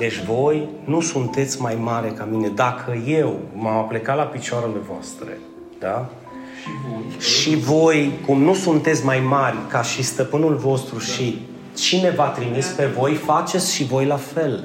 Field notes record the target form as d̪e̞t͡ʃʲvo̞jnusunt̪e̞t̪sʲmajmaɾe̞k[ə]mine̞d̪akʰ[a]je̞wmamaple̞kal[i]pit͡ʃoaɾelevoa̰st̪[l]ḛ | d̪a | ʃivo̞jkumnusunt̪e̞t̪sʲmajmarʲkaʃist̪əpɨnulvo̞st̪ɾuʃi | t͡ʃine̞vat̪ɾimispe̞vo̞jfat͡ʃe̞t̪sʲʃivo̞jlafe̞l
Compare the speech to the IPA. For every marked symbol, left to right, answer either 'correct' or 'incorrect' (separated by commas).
incorrect, incorrect, incorrect, incorrect